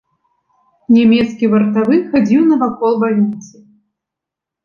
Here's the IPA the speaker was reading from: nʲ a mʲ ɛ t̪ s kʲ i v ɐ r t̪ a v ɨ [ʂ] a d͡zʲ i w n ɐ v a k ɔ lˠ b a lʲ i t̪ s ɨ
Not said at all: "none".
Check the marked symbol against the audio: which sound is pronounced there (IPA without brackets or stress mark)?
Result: x